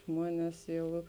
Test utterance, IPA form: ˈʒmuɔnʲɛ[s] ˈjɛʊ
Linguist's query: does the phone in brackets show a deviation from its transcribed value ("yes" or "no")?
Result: no